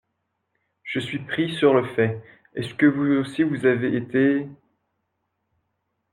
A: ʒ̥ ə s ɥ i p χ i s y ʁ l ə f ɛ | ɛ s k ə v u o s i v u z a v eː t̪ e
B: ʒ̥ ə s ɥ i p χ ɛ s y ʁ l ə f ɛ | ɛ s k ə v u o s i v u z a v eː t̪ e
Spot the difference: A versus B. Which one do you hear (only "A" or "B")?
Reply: A